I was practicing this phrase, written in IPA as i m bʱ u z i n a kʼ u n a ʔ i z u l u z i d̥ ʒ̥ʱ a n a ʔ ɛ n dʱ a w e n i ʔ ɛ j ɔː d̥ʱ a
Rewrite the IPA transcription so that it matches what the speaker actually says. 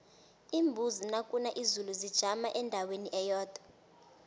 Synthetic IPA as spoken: i m bʱ u z i n a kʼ u n a ʔ i z u l u z i d̥ ʒ̥ʱ a m a ʔ ɛ n dʱ a w e n i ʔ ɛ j ɔː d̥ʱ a